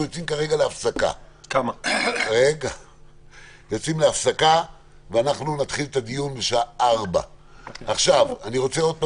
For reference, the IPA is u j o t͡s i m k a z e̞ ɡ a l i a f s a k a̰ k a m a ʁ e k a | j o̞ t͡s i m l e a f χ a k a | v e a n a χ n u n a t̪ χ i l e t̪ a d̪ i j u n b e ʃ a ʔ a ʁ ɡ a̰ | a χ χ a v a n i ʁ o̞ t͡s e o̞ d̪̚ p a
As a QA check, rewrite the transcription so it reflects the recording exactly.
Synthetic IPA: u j o t͡s i m k a ʁ e̞ ɡ a l e a f s a k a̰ k a m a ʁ e ɡ a | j o̞ t͡s i m l e a f s a k a | v e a n a χ n u n a t̪ χ i l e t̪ a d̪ i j u n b e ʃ a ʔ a ʁ b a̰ | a χ ʃ a v a n i ʁ o̞ t͡s e o̞ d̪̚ p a